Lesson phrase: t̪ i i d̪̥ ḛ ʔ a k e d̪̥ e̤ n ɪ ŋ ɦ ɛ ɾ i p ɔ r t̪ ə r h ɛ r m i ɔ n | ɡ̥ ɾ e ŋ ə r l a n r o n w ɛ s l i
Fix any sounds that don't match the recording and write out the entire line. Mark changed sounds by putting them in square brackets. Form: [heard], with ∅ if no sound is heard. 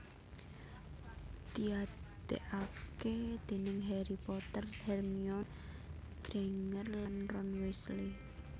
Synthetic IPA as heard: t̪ i [a] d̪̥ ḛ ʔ a k e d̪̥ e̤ n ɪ ŋ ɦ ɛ ɾ i p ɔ [∅] t̪ ə r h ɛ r m i ɔ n | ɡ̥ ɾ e ŋ ə r l a n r [ɔ] n w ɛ s l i